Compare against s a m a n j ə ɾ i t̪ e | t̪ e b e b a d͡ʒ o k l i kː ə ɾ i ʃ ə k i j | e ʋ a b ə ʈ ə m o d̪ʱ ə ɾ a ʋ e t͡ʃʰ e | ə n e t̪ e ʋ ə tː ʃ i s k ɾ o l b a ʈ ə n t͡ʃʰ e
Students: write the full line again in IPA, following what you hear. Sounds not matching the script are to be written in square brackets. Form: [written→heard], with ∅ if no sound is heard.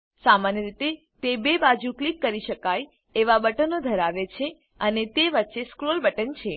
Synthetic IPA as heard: s a m a n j ə ɾ i t̪ e | t̪ e b e b a d͡ʒ [o→u] k l i kː ə ɾ i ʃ ə k [i→a] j | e ʋ a b ə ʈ ə [m→n] o d̪ʱ ə ɾ a ʋ e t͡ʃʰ e | ə n e t̪ e ʋ ə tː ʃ [i→e] s k ɾ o l b [a→ə] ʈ ə n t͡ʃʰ e